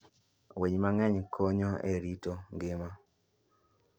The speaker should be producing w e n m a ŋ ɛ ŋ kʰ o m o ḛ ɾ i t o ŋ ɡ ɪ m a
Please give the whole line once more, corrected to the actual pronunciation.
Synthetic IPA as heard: w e ɲ m a ŋ ɛ ɲ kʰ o ɲ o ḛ ɾ i t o ŋ ɡ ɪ m a

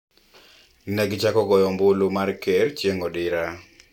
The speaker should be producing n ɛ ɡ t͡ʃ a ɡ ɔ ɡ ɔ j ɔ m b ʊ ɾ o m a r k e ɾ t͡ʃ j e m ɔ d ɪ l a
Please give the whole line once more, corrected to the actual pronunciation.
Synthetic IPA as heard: n ɛ ɡ t͡ʃ a k ɔ ɡ ɔ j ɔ m b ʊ l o m a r k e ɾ t͡ʃ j e ŋ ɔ d ɪ ɾ a

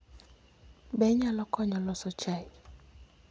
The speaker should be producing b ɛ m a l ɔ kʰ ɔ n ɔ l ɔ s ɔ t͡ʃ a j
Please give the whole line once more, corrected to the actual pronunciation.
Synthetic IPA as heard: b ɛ ɲ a l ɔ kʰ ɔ ɲ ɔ l ɔ s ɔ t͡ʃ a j

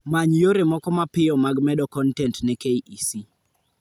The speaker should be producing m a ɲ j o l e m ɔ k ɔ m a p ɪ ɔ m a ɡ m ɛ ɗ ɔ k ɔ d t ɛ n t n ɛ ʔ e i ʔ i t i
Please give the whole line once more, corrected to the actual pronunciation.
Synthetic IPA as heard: m a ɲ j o ɾ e m ɔ k ɔ m a p ɪ ɔ m a ɡ m ɛ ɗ ɔ k ɔ n t ɛ n t n ɛ k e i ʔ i s i

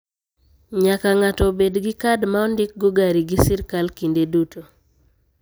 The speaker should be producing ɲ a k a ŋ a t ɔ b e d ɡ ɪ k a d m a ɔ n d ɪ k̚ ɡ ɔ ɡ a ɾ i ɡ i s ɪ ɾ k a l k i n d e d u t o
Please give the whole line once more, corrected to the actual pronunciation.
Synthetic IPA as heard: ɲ a k a ŋ a t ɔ b e d ɡ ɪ k a d m a ɔ n d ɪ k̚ ɡ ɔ ɡ a ɾ i ɡ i s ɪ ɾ k a l k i n d e d u t o

